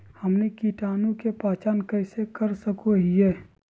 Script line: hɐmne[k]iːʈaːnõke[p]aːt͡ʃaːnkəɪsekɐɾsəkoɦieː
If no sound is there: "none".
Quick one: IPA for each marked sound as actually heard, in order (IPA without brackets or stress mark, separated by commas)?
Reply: k, p